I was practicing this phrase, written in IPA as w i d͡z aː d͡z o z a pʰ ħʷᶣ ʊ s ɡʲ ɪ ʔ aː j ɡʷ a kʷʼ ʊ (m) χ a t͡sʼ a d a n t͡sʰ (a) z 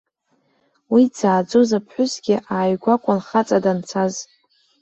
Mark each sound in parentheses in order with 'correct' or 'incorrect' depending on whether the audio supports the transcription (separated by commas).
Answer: incorrect, correct